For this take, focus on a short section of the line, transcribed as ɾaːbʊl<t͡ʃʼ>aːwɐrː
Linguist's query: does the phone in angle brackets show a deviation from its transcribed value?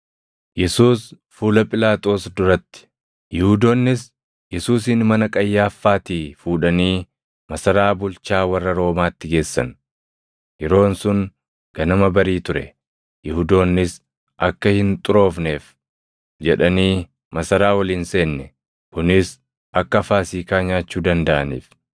yes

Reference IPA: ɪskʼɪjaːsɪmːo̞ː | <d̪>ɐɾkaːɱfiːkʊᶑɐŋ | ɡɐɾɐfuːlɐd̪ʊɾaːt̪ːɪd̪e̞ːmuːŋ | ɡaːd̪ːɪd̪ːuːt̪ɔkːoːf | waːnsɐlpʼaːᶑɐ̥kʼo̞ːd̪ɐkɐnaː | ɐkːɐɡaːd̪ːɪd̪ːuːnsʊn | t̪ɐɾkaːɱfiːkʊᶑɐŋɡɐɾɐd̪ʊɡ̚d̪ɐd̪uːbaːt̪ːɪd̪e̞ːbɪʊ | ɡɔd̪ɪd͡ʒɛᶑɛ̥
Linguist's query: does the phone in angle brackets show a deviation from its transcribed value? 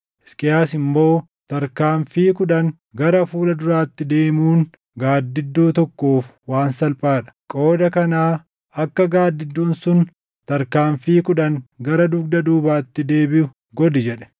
yes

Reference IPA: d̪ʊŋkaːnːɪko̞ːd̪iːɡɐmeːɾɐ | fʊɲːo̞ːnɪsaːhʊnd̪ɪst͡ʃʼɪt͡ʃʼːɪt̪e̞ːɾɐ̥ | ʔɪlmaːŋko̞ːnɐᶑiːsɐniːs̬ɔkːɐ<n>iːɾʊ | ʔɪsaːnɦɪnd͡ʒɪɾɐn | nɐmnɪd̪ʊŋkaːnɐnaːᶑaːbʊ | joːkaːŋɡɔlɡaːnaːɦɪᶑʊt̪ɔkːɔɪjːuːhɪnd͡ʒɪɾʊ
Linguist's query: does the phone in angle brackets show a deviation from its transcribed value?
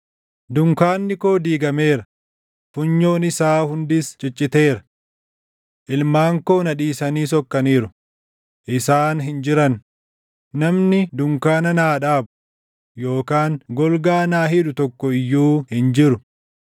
no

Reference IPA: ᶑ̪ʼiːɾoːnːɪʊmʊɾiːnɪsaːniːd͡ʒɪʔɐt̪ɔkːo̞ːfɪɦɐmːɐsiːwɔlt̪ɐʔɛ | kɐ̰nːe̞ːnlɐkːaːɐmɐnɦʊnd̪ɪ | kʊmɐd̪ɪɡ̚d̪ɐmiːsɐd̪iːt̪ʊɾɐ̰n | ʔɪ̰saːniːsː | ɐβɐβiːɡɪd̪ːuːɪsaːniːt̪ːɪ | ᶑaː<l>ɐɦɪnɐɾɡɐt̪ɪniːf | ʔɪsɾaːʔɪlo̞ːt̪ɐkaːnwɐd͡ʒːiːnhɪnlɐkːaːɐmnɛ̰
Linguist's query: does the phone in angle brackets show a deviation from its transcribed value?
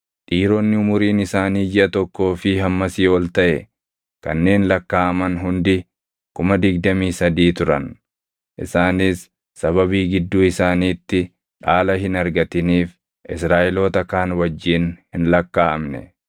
no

